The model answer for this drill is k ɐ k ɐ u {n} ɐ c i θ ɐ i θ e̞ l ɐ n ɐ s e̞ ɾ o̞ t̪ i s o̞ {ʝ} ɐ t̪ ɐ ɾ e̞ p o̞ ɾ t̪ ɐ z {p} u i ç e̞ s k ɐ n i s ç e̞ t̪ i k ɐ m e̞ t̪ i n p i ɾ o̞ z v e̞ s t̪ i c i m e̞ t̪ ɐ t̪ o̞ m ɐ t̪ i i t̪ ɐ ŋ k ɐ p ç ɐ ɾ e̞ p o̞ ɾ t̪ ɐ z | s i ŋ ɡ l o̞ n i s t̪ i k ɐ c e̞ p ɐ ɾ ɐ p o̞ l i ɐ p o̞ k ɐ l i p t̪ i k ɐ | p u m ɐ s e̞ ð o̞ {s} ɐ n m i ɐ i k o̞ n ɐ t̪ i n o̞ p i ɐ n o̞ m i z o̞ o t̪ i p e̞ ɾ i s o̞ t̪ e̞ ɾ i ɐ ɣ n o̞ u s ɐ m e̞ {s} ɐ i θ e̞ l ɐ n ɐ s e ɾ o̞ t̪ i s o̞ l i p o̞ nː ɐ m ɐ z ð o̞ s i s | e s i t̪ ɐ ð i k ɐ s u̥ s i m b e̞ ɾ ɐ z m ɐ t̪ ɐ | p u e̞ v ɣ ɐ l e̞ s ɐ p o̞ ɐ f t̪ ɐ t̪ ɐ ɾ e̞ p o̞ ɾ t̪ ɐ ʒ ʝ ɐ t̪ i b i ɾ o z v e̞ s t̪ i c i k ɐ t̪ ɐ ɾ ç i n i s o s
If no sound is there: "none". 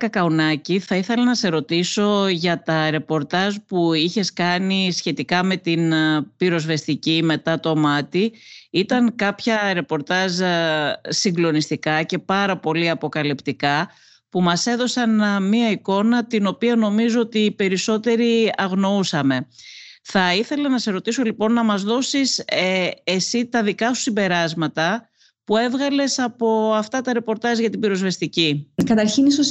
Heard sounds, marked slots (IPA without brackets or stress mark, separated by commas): n, ʝ, p, s, θ